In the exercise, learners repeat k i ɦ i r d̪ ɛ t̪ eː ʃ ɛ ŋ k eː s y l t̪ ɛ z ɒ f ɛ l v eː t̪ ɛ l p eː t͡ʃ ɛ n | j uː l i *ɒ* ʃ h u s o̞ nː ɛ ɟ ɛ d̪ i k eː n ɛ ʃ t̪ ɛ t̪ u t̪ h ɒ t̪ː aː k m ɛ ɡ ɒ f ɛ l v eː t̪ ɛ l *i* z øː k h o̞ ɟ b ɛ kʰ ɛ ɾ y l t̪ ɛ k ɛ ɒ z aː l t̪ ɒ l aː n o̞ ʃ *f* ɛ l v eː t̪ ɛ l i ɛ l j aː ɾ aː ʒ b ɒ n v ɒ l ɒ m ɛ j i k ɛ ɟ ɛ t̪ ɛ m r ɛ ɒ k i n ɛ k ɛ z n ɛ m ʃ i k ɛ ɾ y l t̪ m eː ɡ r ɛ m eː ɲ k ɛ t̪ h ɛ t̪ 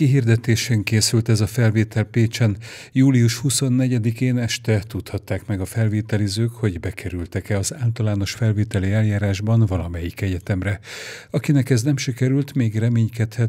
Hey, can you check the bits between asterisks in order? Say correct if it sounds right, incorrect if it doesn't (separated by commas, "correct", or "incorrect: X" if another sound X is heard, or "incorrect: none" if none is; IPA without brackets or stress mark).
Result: incorrect: u, correct, correct